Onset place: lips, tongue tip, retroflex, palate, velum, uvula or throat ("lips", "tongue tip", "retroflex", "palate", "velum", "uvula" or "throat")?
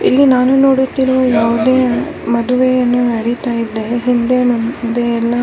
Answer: tongue tip